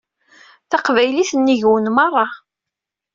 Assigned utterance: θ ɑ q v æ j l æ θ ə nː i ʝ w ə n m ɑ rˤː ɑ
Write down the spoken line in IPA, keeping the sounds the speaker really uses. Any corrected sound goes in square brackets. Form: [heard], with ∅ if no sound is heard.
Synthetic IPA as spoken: θ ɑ q v æ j l [i] θ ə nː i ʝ w ə n m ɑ rˤː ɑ